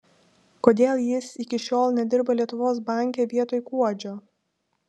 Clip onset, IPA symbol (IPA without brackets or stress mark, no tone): k